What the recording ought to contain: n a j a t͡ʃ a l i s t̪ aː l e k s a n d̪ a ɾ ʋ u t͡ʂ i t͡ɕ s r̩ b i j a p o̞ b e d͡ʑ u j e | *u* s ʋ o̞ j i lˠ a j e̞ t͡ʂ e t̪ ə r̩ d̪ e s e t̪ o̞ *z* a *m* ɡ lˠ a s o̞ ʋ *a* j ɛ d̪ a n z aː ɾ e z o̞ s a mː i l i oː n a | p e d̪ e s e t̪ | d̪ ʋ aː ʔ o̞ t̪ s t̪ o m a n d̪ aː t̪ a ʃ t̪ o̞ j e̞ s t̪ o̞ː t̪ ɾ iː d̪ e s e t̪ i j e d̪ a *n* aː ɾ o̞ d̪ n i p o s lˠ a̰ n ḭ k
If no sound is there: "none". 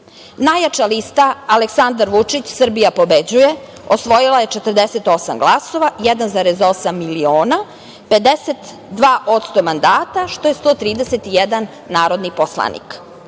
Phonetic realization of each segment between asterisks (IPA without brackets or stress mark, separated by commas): o, s, m, a, nː